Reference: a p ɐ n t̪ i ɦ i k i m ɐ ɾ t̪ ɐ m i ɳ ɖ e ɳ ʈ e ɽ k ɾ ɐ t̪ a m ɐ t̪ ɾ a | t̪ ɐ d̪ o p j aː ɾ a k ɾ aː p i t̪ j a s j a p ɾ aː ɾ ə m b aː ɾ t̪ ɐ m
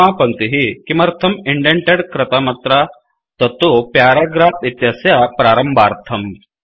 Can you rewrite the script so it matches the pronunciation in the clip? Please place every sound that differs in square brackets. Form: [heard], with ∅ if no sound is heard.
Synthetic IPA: a p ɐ n t̪ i ɦ i k i m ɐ ɾ [t̪ʰ] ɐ m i ɳ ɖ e ɳ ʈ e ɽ k ɾ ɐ t̪ a m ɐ t̪ ɾ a | t̪ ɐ [t̪] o p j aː ɾ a [ɡ] ɾ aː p i t̪ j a s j a p ɾ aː ɾ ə m b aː ɾ [t̪ʰ] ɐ m

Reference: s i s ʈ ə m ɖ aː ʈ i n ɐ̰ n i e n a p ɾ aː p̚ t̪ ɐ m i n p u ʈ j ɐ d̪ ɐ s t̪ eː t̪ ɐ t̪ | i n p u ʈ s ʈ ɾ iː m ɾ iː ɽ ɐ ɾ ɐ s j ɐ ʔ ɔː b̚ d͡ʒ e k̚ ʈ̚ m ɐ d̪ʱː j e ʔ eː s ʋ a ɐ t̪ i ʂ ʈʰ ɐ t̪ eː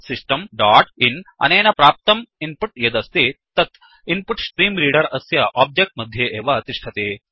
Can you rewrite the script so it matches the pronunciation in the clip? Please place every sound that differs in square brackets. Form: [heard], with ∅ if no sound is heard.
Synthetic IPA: s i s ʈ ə m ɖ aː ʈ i n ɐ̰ n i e n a p ɾ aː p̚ t̪ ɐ m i n p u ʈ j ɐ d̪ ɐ s t̪ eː t̪ ɐ t̪ | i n p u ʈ s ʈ ɾ iː m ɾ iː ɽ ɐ ɾ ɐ s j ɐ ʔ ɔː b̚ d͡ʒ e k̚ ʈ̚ m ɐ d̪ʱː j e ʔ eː [∅] ʋ a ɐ t̪ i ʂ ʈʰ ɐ t̪ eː

